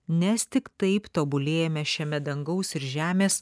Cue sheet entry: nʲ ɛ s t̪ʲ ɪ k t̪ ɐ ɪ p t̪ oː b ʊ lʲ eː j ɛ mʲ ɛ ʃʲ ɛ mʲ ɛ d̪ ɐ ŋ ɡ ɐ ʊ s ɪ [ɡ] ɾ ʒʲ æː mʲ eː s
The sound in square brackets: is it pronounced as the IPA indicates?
no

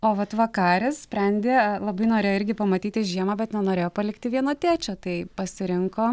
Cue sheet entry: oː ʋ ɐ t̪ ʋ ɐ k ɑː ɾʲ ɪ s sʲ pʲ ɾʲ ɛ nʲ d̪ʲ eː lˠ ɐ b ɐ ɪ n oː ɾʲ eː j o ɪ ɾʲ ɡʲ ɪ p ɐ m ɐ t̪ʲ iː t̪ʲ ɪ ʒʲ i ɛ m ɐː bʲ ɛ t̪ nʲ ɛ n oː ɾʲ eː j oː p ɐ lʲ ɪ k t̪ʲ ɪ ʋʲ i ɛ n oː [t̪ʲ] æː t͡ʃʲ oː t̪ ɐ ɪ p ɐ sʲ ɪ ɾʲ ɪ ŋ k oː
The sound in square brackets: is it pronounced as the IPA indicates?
yes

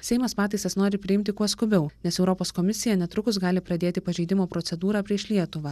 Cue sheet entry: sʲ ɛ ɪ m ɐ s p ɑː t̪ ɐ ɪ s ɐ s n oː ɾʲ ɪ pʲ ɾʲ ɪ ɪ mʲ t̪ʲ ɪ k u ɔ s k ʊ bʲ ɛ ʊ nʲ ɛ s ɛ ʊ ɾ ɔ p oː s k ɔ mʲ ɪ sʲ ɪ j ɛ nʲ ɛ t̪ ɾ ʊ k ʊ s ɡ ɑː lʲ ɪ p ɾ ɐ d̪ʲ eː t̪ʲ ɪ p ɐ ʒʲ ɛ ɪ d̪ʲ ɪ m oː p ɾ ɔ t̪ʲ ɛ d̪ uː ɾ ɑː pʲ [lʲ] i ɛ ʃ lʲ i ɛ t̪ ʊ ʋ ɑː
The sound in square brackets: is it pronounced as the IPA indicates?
no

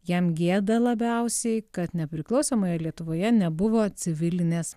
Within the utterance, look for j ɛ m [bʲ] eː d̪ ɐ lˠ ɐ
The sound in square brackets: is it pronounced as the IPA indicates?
no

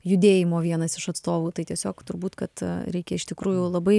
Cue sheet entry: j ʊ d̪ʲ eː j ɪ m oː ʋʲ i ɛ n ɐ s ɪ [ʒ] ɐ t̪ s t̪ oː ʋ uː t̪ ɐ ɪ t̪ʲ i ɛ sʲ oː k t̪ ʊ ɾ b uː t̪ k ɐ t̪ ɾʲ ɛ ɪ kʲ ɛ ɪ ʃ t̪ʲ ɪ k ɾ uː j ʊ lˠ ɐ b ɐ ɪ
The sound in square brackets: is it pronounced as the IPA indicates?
no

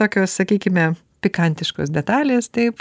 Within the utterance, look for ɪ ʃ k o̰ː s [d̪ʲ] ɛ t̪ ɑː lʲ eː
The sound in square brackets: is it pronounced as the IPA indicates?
yes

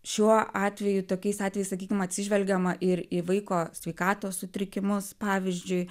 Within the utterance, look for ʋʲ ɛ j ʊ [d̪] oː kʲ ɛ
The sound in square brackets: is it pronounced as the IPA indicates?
no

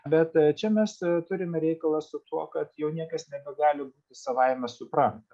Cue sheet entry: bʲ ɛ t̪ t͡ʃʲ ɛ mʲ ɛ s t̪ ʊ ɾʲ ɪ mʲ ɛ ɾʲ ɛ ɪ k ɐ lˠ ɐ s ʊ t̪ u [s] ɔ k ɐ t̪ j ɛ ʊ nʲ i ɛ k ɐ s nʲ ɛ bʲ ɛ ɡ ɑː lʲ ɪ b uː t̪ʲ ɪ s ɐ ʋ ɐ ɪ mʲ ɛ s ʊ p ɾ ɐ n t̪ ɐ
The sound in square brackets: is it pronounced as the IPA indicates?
no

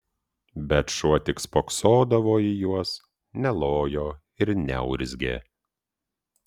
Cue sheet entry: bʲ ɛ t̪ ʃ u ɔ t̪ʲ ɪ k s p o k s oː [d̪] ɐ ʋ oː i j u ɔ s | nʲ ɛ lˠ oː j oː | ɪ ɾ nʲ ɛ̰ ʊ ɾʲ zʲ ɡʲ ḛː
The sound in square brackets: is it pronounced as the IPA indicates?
yes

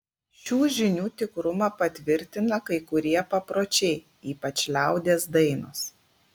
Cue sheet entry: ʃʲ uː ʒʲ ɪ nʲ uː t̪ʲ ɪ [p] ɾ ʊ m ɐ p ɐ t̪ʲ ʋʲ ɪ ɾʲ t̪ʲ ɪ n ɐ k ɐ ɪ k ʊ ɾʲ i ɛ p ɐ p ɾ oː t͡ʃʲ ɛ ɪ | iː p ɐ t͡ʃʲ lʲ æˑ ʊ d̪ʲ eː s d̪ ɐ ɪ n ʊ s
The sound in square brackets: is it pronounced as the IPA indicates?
no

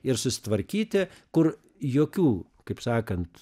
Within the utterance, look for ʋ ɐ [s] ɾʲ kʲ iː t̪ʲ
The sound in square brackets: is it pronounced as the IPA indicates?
no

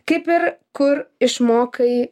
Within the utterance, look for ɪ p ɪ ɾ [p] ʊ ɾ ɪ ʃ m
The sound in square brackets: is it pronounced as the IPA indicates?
no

